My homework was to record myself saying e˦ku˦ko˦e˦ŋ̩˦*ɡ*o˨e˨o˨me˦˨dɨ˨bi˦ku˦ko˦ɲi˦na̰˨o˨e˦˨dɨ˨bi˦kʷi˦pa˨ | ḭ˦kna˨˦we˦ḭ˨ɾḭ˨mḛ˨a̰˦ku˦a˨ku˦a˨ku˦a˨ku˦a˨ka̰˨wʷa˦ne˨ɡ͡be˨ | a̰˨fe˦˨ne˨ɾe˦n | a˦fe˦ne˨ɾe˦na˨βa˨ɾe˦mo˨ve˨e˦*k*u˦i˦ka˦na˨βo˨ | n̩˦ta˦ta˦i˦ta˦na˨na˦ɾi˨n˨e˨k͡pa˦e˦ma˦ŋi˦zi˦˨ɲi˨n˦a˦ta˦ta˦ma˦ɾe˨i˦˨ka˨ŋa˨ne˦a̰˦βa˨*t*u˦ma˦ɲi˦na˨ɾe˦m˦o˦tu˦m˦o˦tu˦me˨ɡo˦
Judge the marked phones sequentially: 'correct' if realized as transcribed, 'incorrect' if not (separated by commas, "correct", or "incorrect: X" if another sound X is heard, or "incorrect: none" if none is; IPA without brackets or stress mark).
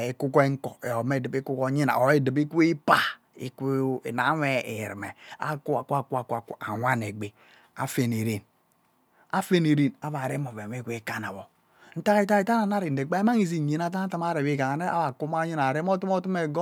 incorrect: k, correct, incorrect: k